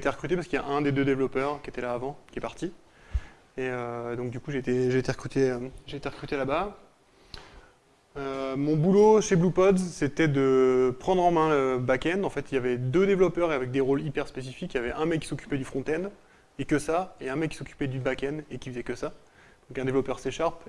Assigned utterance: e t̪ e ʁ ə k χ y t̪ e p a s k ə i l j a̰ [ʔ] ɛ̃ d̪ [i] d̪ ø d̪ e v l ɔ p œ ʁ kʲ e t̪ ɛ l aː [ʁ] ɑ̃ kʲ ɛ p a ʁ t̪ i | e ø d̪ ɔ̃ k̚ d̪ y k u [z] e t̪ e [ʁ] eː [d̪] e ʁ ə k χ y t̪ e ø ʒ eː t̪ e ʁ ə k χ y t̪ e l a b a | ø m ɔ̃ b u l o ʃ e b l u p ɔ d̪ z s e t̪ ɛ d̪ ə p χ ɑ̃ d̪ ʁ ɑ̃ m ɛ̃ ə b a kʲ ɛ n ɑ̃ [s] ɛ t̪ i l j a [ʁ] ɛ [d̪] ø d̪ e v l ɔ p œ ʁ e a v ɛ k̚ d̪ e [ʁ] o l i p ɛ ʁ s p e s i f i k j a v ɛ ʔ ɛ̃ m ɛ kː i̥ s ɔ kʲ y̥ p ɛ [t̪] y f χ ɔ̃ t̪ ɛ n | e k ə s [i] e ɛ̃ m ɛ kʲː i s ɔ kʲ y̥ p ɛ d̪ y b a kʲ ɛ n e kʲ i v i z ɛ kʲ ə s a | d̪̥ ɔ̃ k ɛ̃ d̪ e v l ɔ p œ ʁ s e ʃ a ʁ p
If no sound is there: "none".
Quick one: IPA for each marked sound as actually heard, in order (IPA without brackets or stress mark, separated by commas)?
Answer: ʔ, e, v, ʒ, ʒ, t̪, f, v, d̪, ʁ, d̪, a